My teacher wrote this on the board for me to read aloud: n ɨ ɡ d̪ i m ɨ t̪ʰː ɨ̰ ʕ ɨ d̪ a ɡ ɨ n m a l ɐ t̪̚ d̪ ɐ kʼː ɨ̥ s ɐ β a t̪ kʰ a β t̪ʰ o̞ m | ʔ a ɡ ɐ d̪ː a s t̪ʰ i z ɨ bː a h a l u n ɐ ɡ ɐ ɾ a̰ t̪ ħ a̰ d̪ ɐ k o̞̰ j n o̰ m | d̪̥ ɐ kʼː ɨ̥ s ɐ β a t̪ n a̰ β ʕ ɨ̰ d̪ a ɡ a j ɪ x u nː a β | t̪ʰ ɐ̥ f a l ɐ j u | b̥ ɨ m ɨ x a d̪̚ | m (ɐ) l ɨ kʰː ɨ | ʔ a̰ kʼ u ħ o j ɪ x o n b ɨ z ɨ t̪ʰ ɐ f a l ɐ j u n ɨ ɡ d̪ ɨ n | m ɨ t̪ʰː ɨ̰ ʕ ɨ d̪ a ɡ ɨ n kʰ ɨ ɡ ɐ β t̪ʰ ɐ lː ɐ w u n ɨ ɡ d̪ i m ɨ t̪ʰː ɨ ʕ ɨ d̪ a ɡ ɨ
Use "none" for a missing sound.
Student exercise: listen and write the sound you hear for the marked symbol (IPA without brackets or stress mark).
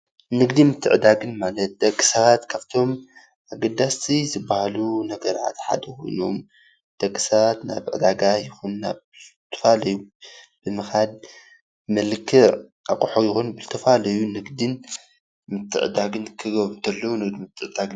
ɐ